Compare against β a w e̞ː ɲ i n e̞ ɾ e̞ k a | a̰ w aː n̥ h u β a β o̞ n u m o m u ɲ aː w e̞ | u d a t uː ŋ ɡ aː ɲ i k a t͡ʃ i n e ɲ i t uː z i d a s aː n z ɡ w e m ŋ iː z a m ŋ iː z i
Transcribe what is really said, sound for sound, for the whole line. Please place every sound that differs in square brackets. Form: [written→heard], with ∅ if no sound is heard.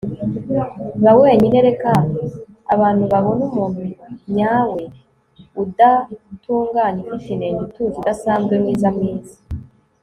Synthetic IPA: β a w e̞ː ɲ i n e̞ ɾ e̞ k a | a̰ [w→β] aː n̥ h u β a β o̞ n u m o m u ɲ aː w e̞ | u d a t uː ŋ ɡ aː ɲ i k [a→i] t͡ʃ i n e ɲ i t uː z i d a s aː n z ɡ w e m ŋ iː z a m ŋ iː z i